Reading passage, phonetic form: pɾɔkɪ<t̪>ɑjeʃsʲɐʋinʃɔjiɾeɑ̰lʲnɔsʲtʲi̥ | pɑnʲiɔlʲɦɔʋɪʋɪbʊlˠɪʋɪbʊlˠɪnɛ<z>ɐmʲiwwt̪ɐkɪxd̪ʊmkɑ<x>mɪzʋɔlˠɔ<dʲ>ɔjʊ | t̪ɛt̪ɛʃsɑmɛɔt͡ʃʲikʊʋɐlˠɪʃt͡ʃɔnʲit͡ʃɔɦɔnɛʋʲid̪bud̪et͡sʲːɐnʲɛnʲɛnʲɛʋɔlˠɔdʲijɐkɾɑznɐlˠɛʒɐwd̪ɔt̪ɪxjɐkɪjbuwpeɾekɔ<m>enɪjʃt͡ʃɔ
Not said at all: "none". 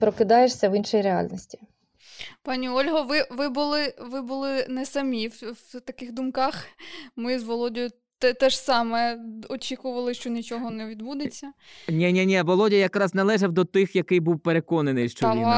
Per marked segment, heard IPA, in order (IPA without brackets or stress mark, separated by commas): d̪, s, x, dʲ, n